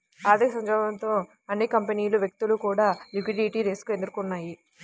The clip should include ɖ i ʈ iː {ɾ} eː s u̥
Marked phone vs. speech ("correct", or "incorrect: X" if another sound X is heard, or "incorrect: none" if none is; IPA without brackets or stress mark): correct